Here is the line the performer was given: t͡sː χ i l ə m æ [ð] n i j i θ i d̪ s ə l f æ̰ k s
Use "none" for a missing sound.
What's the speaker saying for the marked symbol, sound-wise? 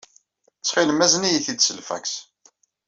z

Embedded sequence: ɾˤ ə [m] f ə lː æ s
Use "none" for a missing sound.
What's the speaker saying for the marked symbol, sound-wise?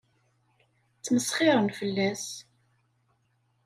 n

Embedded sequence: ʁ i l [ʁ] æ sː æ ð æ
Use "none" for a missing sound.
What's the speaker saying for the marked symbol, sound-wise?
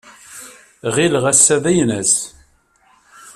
ʁ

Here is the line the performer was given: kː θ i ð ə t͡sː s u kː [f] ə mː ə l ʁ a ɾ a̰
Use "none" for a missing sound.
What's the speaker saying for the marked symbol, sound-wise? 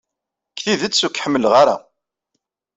ħ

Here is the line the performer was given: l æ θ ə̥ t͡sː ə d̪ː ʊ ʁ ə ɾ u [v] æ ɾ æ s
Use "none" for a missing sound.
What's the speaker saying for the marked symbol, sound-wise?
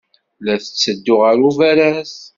v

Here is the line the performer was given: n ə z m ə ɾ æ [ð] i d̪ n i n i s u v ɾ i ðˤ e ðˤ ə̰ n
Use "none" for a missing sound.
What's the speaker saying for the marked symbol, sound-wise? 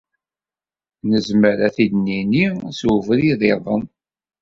θ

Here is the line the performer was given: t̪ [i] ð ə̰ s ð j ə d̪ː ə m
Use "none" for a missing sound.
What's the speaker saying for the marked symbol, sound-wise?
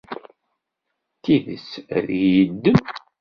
i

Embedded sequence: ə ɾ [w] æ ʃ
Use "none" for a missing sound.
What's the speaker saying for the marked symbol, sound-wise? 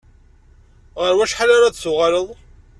w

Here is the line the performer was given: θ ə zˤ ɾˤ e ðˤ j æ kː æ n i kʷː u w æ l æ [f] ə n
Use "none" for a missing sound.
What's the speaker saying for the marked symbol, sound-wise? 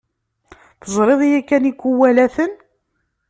θ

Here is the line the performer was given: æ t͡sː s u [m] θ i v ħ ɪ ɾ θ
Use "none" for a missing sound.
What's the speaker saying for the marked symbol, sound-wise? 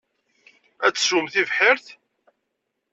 m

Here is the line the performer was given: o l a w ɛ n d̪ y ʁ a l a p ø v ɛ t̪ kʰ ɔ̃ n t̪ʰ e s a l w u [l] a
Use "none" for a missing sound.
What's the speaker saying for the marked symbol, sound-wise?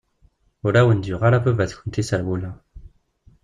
l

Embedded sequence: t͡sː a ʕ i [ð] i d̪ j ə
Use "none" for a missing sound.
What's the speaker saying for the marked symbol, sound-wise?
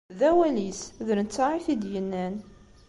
θ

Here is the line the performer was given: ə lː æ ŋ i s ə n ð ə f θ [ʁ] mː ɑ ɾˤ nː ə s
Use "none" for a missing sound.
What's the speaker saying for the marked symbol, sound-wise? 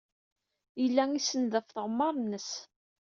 ʁ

